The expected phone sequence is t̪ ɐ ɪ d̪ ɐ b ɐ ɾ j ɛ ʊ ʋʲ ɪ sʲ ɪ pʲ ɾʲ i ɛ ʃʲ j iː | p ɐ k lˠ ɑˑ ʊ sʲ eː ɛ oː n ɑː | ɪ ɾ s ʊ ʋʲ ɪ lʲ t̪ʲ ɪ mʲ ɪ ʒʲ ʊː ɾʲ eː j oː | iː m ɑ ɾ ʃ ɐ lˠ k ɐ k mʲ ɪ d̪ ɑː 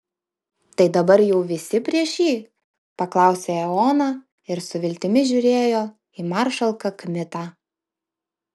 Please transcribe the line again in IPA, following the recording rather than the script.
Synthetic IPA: t̪ ɐ ɪ d̪ ɐ b ɐ ɾ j ɛ ʊ ʋʲ ɪ sʲ ɪ pʲ ɾʲ i ɛ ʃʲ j iː | p ɐ k lˠ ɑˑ ʊ sʲ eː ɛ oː n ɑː | ɪ ɾ s ʊ ʋʲ ɪ lʲ t̪ʲ ɪ mʲ ɪ ʒʲ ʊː ɾʲ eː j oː | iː m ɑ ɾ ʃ ɐ lˠ k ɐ k mʲ ɪ t̪ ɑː